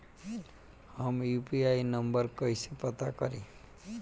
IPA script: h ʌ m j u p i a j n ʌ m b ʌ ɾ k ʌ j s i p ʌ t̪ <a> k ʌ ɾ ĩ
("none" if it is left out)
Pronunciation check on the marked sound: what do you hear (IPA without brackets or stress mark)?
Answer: a